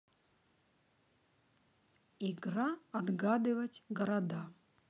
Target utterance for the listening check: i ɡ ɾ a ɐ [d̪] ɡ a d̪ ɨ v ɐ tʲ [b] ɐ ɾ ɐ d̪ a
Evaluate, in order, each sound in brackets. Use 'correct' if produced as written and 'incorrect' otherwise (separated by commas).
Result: correct, incorrect